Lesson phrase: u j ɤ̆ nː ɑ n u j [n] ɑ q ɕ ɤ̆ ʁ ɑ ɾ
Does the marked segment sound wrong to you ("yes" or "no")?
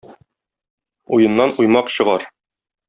yes